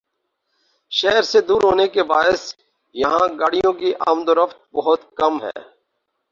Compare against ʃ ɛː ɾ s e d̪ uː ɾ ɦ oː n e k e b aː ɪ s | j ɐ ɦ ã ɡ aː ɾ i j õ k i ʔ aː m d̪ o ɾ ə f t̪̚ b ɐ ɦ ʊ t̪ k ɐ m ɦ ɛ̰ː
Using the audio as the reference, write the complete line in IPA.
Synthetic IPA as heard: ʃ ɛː ɾ s e d̪ uː ɾ ɦ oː n e k e b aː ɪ s | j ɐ ɦ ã ɡ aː ɽ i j õ k i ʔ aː m d̪ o ɾ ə f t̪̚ b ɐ ɦ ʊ t̪ k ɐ m ɦ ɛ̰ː

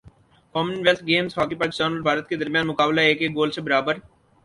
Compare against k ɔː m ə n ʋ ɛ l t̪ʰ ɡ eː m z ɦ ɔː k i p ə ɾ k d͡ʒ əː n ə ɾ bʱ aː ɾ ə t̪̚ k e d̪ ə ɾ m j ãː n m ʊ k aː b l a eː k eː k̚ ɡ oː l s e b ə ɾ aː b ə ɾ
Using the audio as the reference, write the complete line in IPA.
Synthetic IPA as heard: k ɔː m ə n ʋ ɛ l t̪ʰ ɡ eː m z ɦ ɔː k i p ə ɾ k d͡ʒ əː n ə l bʱ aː ɾ ə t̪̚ k e d̪ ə ɾ m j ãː n m ʊ k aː b l a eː k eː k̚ ɡ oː l s e b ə ɾ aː b ə ɾ

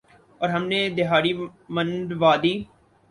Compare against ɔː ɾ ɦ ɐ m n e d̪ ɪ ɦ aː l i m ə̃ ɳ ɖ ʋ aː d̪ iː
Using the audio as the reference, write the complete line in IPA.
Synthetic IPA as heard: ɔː ɾ ɦ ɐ m n e d̪ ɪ ɦ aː ɾ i m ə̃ n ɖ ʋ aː d̪ iː

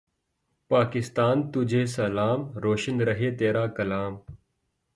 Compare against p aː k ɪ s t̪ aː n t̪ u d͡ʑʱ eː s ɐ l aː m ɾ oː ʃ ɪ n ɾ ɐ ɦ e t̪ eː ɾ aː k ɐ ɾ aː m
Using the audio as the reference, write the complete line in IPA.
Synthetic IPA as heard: p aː k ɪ s t̪ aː n t̪ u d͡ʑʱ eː s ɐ l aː m ɾ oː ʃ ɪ n ɾ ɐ ɦ e t̪ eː ɾ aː k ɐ l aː m

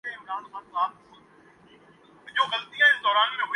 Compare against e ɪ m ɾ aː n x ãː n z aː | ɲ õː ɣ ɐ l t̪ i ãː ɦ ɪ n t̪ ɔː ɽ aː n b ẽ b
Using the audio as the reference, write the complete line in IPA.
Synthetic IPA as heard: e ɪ m ɾ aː n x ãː n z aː | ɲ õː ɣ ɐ l t̪ i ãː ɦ ɪ n d̪ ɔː ɾ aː n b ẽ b

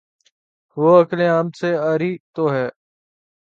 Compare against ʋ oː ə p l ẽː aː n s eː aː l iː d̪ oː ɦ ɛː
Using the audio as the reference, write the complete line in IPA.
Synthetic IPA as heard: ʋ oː ə k l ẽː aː m s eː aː ɾ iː t̪ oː ɦ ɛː

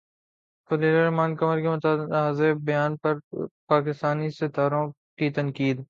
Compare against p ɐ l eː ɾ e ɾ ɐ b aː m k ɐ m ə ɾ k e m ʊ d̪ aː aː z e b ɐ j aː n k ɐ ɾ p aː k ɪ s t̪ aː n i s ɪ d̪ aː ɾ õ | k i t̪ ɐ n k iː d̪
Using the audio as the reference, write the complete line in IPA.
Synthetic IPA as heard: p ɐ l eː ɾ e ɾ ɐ m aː n k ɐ m ə ɾ k e m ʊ t̪ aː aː z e b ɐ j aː n p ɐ ɾ p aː k ɪ s t̪ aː n i s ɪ t̪ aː ɾ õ | k i t̪ ɐ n k iː d̪

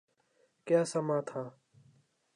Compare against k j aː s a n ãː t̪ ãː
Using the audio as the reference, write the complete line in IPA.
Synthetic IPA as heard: k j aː s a m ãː t̪ʰ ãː

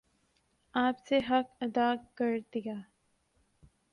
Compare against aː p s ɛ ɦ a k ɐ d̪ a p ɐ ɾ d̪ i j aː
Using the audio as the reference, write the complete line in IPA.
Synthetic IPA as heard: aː p s e ɦ ɐ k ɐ d̪ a k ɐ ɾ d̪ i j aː

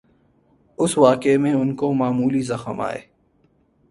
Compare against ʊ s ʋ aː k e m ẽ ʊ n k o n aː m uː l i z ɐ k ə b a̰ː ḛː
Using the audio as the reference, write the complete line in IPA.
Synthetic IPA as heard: ʊ s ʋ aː k e m ẽ ʊ n k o m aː m uː l i z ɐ x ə m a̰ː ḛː

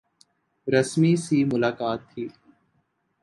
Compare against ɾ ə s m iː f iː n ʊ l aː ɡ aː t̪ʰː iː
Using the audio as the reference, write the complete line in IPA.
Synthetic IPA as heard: ɾ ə s m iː s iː m ʊ l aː k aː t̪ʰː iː

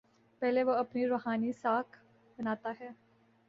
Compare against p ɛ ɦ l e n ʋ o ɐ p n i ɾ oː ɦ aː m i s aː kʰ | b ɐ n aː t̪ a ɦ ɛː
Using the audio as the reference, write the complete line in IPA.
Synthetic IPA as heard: p ɛ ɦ l e ʋ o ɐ p n i ɾ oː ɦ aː n i s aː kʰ | b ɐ n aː t̪ a ɦ ɛː

